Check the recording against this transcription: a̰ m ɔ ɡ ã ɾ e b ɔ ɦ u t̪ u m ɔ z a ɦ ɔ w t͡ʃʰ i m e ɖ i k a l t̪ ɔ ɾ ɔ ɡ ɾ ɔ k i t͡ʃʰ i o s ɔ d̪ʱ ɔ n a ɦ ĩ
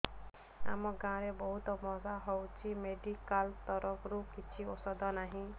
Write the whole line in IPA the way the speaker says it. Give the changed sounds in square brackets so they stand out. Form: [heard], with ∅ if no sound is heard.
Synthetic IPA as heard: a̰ m ɔ ɡ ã ɾ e b ɔ ɦ u t̪ [ɔ] m ɔ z a ɦ ɔ w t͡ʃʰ i m e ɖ i k a l t̪ ɔ ɾ ɔ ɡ ɾ [u] k i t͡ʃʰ i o s ɔ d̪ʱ ɔ n a ɦ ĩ